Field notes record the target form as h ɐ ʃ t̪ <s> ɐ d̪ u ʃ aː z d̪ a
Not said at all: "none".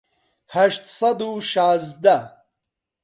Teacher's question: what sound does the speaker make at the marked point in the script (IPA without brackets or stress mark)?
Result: s